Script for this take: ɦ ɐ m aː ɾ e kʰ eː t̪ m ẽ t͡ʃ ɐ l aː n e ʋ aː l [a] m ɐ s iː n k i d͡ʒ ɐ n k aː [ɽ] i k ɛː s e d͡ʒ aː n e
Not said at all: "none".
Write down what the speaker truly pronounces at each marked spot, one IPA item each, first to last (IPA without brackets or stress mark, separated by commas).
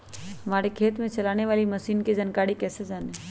i, ɽ